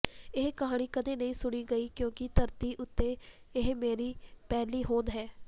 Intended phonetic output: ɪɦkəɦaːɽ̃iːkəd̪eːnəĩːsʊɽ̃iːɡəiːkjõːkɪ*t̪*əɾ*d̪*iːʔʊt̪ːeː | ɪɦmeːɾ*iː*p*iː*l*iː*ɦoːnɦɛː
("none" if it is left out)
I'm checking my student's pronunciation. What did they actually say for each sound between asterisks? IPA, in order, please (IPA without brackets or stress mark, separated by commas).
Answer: t̪, t̪, iː, ɛː, iː